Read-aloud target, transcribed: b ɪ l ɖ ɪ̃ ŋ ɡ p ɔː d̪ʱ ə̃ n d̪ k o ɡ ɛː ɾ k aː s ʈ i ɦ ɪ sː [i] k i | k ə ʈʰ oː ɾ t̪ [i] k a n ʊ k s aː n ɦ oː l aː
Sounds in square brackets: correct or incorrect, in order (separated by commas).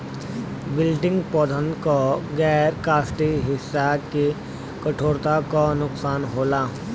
incorrect, incorrect